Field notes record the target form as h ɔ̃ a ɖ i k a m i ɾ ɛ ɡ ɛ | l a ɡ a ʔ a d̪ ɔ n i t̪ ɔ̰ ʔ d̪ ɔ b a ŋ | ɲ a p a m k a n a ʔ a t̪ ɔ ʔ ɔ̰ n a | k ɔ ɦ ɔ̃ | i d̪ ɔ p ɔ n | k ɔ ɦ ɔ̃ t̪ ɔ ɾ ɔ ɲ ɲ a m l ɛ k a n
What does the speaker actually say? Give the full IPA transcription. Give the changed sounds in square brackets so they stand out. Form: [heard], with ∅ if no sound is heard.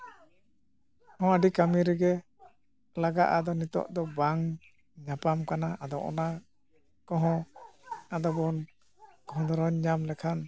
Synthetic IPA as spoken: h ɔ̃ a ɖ i k a m i ɾ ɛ ɡ ɛ | l a ɡ a ʔ a d̪ ɔ n i t̪ ɔ̰ ʔ d̪ ɔ b a ŋ | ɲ a p a m k a n a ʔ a [d̪] ɔ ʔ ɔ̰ n a | k ɔ ɦ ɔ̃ | [a] d̪ ɔ [b] ɔ n | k ɔ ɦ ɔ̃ [d̪] ɔ ɾ ɔ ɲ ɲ a m l ɛ [kʰ] a n